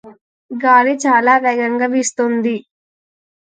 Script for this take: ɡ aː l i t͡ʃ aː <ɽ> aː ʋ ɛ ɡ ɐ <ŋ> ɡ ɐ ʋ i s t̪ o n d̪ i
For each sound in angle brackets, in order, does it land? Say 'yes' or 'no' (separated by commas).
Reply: no, yes